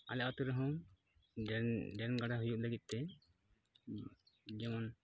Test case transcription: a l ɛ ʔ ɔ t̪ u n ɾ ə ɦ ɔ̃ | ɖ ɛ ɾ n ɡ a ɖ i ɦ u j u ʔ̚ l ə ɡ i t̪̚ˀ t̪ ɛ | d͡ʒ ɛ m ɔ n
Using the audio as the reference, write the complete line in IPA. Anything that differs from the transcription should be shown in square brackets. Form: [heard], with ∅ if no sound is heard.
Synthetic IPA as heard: a l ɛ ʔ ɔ t̪ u [∅] ɾ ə ɦ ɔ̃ | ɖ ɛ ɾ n ɡ a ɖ [a] ɦ u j u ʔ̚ l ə ɡ i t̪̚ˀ t̪ ɛ | d͡ʒ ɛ m ɔ n